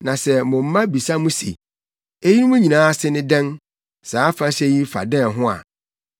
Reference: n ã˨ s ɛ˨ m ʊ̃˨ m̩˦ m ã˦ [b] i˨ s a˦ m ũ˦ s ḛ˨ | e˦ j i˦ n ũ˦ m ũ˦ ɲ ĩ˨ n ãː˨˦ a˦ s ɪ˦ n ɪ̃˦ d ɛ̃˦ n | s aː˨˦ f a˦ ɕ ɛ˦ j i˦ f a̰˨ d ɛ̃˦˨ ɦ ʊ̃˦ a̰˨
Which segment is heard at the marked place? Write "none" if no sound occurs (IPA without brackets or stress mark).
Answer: b